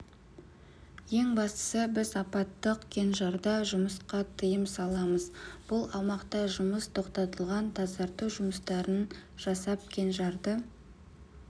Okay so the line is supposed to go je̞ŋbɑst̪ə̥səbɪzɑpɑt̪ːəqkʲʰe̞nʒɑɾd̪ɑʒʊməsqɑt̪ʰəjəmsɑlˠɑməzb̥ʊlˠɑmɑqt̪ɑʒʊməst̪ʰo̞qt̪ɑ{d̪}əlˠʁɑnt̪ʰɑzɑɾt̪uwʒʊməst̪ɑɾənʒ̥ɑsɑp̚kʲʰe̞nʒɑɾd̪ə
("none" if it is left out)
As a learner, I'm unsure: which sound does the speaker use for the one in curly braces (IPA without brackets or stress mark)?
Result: t̪